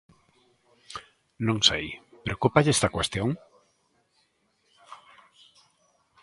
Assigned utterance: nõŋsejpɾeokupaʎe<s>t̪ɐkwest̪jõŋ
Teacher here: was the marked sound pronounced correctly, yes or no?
yes